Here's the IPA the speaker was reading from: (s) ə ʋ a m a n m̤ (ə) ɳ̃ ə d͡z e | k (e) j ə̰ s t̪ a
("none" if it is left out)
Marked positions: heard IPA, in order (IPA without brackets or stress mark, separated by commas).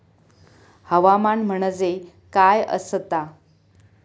h, ə, a